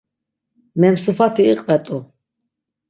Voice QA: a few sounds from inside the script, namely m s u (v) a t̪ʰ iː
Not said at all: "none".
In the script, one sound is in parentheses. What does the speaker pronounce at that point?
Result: f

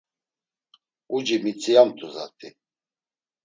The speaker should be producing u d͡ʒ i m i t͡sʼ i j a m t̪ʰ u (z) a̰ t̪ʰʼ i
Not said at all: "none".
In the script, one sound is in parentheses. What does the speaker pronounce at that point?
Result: z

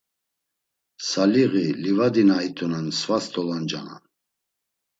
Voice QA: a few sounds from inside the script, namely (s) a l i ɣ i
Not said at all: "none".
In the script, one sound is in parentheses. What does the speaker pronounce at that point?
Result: s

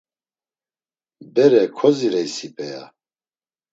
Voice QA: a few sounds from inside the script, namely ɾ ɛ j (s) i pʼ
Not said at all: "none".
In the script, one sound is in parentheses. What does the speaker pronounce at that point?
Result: s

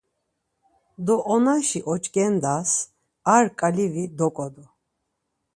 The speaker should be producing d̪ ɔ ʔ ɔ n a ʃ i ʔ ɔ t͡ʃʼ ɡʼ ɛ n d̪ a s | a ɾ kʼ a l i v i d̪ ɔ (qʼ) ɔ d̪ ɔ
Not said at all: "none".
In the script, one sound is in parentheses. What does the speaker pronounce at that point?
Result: kʼ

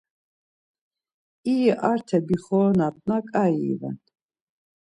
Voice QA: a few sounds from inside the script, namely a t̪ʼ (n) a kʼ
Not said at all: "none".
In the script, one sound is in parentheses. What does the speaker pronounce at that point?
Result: n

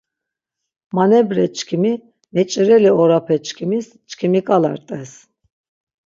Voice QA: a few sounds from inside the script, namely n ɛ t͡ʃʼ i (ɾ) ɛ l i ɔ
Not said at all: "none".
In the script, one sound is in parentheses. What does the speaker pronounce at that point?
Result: ɾ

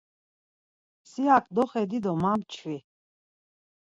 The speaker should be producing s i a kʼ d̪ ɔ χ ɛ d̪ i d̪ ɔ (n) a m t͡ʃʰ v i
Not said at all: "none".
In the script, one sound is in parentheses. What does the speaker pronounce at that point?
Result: m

